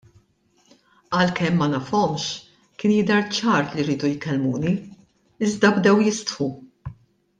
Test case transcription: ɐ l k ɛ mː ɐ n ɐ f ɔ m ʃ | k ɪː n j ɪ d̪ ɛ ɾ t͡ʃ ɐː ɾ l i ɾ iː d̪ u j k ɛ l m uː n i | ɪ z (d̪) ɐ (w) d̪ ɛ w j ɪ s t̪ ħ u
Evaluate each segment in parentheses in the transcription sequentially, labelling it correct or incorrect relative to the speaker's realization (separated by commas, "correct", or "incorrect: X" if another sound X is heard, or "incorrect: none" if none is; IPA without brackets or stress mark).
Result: correct, incorrect: b